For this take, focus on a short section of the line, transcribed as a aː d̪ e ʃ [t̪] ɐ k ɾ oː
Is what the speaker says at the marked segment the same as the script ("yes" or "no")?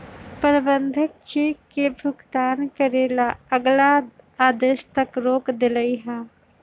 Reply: yes